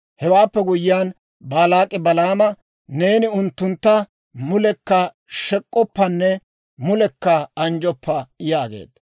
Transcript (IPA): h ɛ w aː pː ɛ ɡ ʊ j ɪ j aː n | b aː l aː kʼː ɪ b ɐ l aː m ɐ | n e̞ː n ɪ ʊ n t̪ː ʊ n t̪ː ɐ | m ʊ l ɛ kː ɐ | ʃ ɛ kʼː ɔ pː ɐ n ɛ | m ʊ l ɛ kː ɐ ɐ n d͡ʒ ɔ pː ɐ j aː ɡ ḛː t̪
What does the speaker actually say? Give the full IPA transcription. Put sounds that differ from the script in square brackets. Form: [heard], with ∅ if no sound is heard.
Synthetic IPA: h ɛ w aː pː ɛ ɡ ʊ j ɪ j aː n | b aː l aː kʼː ɪ b ɐ l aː m ɐ | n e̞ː n ɪ ʊ n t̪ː ʊ n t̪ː ɐ | m ʊ l ɛ kː ɐ | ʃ ɛ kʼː ɔ pː ɐ [nː] ɛ | m ʊ l ɛ kː ɐ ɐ n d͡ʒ ɔ pː ɐ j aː ɡ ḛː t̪